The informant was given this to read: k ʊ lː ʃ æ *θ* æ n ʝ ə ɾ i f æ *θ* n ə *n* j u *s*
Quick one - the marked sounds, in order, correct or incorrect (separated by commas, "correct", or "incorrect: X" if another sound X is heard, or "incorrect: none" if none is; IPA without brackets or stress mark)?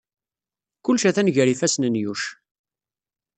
correct, incorrect: s, correct, incorrect: ʃ